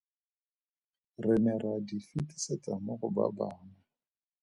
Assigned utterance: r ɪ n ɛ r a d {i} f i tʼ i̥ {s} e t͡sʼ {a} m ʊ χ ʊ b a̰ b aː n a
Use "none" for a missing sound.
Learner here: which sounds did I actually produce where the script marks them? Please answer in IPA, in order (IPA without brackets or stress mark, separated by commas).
i, s, a